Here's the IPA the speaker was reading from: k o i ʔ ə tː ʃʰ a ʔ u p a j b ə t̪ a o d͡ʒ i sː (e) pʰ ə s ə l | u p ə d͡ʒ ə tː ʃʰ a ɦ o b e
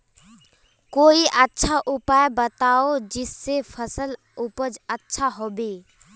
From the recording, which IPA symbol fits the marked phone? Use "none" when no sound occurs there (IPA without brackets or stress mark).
e